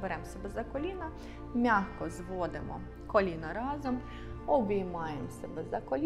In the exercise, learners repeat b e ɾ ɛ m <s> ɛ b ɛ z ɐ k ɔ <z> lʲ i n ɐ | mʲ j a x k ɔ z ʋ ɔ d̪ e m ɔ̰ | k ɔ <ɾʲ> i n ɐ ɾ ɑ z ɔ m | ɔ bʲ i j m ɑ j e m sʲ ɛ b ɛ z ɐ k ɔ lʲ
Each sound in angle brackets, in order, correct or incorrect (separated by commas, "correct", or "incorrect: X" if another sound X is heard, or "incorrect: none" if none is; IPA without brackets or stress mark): correct, incorrect: none, incorrect: lʲ